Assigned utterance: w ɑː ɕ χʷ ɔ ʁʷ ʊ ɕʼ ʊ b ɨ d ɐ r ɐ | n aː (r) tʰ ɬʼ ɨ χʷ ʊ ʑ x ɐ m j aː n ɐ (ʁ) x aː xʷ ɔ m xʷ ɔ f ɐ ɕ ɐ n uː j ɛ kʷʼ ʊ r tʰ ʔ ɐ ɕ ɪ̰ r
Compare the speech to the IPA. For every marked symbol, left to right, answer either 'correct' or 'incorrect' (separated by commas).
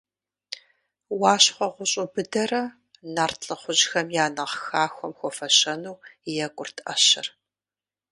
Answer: correct, correct